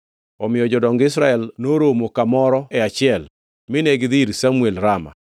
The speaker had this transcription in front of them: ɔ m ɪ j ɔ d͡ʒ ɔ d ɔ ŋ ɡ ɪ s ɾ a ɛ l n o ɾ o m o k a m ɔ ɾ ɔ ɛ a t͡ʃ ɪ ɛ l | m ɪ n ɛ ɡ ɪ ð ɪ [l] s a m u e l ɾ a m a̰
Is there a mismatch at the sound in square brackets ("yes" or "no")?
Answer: yes